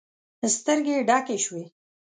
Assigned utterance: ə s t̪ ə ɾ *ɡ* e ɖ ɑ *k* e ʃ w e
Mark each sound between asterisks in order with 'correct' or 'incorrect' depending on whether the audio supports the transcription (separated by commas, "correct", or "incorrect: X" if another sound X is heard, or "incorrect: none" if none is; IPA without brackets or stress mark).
correct, correct